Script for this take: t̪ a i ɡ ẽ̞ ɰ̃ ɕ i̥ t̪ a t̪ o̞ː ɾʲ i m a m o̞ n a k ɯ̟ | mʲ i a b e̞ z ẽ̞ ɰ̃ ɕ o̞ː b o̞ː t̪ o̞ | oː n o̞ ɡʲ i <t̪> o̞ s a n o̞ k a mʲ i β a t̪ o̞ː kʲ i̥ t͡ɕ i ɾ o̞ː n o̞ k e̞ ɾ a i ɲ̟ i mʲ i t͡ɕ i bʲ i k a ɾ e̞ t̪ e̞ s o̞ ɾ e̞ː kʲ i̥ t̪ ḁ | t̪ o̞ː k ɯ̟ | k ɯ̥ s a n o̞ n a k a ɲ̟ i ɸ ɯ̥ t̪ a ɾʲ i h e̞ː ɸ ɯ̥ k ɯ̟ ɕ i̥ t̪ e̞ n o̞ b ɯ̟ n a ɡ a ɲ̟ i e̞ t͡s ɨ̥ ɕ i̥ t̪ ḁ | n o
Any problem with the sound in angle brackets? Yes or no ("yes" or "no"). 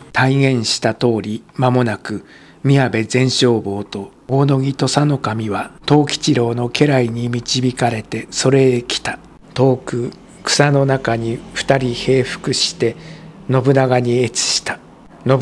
no